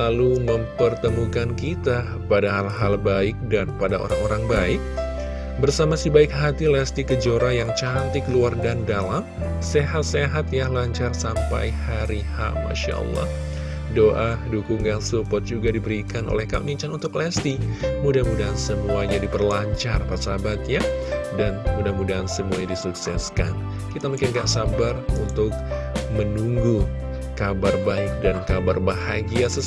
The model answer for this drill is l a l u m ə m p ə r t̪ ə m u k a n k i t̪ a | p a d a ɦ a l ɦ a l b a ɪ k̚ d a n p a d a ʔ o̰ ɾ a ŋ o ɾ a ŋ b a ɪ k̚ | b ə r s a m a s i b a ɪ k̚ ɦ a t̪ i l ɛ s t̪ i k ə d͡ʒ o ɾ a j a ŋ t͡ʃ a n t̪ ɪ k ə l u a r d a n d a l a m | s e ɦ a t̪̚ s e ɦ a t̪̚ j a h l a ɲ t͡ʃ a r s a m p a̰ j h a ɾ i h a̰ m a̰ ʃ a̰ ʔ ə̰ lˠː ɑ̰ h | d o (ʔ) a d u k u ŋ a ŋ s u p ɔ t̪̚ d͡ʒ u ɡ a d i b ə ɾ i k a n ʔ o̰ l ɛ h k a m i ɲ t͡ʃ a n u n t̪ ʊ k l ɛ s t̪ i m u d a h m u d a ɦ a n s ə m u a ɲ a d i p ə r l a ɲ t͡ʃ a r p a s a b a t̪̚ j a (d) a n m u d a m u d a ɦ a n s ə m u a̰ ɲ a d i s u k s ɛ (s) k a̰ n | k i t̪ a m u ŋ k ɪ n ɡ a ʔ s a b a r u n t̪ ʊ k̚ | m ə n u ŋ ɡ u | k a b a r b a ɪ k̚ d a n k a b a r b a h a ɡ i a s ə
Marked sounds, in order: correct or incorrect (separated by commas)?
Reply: correct, correct, correct